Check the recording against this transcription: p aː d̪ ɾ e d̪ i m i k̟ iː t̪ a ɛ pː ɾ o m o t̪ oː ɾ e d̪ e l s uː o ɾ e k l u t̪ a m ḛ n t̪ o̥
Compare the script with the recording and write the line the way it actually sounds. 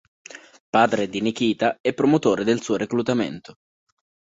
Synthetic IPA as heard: p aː d̪ ɾ e d̪ i n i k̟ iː t̪ a ɛ pː ɾ o m o t̪ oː ɾ e d̪ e l s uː o ɾ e k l u t̪ a m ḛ n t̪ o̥